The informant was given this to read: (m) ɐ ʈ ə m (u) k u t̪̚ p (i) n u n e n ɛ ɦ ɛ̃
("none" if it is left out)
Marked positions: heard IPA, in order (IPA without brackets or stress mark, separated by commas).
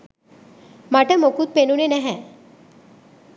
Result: m, o, e